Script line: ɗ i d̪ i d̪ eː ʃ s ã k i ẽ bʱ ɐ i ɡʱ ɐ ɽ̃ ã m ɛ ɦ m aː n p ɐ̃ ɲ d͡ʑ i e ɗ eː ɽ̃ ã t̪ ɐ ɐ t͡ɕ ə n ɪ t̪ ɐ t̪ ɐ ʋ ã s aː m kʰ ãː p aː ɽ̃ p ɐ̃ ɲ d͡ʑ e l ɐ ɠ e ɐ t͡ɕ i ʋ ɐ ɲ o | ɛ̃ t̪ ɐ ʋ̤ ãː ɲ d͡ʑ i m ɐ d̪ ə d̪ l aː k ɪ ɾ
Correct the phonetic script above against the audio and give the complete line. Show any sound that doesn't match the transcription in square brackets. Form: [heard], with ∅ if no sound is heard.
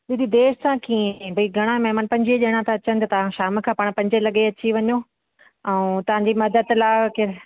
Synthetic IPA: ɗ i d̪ i d̪ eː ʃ s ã k i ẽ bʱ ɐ i ɡʱ ɐ ɽ̃ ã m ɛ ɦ m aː n p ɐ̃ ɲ d͡ʑ i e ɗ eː ɽ̃ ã t̪ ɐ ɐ t͡ɕ ə n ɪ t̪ ɐ t̪ ɐ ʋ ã [ʃ] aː m kʰ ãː p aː ɽ̃ p ɐ̃ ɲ d͡ʑ e l ɐ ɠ e ɐ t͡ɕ i ʋ ɐ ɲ o | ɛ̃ t̪ ɐ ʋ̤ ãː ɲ d͡ʑ i m ɐ d̪ ə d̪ l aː k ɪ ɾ

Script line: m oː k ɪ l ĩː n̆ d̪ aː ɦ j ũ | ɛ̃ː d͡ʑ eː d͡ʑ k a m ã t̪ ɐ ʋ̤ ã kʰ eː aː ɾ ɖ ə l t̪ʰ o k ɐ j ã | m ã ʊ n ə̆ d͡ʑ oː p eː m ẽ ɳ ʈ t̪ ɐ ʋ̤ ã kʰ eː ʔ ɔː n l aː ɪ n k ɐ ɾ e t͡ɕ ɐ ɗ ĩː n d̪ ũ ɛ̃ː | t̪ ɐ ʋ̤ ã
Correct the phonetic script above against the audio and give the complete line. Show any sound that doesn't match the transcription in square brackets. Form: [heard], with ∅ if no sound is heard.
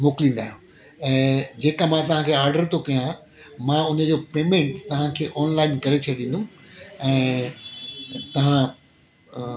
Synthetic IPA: m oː k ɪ l ĩː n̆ d̪ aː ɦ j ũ | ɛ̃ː d͡ʑ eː [∅] k a m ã t̪ ɐ ʋ̤ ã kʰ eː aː ɾ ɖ ə [ɾ] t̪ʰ o k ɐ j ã | m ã ʊ n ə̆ d͡ʑ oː p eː m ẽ ɳ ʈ t̪ ɐ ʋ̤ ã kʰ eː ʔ ɔː n l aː ɪ n k ɐ ɾ e [t͡ɕʰ] ɐ ɗ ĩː n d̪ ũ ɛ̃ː | t̪ ɐ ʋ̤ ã

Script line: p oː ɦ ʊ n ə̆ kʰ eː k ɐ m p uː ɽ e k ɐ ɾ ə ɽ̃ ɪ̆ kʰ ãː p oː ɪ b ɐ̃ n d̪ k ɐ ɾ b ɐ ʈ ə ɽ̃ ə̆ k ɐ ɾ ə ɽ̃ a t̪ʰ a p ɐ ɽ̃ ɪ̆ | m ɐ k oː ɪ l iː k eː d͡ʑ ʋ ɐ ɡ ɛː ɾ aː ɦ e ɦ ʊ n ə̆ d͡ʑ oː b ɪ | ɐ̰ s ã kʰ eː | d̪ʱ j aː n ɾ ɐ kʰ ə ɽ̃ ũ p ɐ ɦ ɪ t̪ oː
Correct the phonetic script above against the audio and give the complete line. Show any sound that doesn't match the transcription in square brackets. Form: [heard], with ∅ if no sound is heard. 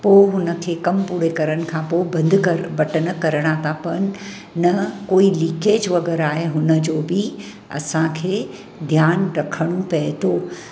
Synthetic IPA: p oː ɦ ʊ n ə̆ kʰ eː k ɐ m p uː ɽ e k ɐ ɾ ə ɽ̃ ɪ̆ kʰ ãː p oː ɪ b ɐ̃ n d̪ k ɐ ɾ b ɐ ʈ ə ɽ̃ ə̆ k ɐ ɾ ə ɽ̃ a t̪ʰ a p ɐ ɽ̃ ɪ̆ | [n] ɐ k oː [i] l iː k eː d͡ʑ ʋ ɐ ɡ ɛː ɾ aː ɦ e ɦ ʊ n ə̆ d͡ʑ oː b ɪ | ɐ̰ s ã kʰ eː | d̪ʱ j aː n ɾ ɐ kʰ ə ɽ̃ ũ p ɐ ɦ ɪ t̪ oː

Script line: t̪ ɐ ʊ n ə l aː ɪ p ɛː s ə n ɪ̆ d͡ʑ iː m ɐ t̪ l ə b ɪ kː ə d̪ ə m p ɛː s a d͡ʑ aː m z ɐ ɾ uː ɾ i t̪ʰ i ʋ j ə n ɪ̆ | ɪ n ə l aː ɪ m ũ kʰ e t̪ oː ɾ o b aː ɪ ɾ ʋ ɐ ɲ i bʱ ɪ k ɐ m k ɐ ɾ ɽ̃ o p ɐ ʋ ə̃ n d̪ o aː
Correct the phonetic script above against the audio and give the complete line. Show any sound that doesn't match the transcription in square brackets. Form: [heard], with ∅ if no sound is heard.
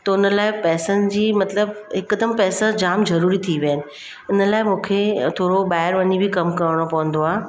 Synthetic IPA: t̪ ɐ ʊ n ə l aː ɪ p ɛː s ə n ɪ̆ d͡ʑ iː m ɐ t̪ l ə b ɪ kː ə d̪ ə m p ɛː s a d͡ʑ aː m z ɐ ɾ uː ɾ i t̪ʰ i ʋ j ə n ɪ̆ | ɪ n ə l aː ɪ m [ũː] kʰ e [t̪ʰ] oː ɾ o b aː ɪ ɾ ʋ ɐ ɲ i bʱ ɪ k ɐ m k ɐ ɾ ɽ̃ o p ɐ ʋ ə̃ n d̪ o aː

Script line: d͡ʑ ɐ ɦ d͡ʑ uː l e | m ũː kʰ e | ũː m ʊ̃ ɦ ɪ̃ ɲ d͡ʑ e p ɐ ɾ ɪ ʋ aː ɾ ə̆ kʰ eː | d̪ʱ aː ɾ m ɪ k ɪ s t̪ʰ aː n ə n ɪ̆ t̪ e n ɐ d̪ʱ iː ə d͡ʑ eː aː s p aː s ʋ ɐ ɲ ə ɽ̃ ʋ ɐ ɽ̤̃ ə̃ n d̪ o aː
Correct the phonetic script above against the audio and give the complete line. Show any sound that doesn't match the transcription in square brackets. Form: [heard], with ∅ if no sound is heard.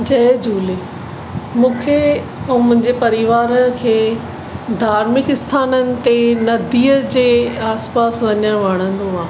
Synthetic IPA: d͡ʑ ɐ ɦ d͡ʑ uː l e | m ũː kʰ e | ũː m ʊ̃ ɦ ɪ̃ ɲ d͡ʑ e p ɐ ɾ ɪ ʋ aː ɾ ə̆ kʰ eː | d̪ʱ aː ɾ m ɪ k ɪ s t̪ʰ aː n ə n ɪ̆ t̪ e n ɐ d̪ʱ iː ə d͡ʑ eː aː s p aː s ʋ ɐ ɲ ə ɽ̃ ʋ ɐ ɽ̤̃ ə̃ n d̪ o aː

